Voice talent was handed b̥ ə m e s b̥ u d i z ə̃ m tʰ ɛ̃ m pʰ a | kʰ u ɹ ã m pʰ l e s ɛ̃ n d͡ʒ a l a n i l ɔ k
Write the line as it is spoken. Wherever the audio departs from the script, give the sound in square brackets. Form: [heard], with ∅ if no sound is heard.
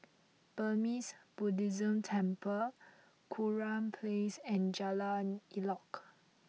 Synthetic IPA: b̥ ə m [i] s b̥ u d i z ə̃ m tʰ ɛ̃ m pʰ [ə] | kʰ u ɹ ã m pʰ l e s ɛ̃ n d͡ʒ a l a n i l ɔ k